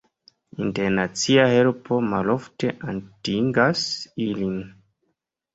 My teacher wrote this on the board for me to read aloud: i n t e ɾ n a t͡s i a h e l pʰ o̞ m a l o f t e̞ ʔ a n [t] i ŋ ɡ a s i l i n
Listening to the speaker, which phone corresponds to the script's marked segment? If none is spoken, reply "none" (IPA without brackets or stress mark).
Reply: t